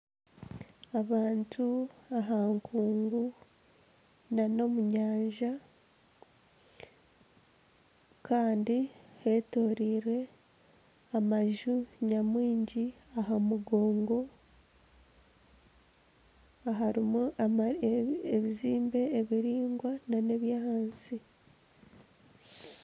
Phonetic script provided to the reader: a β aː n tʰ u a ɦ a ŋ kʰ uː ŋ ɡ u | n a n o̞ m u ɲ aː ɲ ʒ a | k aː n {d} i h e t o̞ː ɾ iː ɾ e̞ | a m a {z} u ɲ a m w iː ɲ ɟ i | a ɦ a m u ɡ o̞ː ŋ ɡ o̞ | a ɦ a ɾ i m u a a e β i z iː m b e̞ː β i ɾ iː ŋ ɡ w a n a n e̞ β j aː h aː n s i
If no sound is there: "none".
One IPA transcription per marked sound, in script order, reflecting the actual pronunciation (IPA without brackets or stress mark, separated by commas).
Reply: d, ʒ